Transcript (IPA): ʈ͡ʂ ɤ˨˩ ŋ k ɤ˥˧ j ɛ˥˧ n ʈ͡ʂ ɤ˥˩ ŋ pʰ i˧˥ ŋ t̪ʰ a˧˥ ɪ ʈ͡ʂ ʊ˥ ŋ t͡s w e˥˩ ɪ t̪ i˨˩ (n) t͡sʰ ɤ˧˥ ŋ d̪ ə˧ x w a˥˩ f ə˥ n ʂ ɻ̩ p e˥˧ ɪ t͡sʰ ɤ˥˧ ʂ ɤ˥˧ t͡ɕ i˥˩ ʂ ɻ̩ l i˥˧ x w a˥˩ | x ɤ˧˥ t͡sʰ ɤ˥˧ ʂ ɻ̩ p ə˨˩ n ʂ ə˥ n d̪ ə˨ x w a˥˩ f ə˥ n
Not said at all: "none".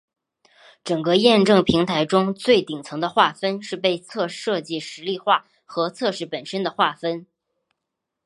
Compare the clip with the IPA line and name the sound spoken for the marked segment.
ŋ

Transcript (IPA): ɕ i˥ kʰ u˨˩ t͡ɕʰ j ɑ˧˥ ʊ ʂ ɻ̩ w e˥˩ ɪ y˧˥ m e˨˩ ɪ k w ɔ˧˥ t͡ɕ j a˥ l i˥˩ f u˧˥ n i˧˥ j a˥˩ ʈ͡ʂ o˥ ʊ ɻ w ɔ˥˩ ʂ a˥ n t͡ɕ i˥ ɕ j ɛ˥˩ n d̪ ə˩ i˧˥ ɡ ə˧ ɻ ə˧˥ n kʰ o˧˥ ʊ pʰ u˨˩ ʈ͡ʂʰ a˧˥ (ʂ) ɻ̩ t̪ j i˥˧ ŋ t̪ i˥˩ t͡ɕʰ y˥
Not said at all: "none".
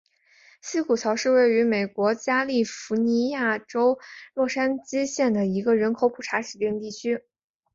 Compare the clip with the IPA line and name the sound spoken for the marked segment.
ʂ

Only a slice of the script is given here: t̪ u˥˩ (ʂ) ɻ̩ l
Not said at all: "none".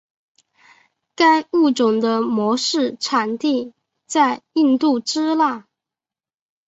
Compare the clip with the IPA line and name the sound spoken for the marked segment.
ʈ͡ʂ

